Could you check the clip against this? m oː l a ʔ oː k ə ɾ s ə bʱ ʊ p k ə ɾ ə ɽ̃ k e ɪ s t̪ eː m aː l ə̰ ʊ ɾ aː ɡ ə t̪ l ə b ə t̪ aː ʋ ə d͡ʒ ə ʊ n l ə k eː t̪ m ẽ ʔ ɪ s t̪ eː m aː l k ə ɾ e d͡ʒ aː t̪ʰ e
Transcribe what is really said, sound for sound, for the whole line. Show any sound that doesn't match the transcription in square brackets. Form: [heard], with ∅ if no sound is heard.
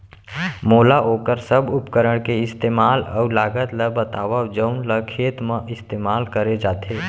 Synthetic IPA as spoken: m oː l a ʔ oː k ə ɾ s ə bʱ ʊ p k ə ɾ ə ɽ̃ k e ɪ s t̪ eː m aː l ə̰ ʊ [l] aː ɡ ə t̪ l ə b ə t̪ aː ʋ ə d͡ʒ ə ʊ n l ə [kʰ] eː t̪ m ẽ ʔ ɪ s t̪ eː m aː l k ə ɾ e d͡ʒ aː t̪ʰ e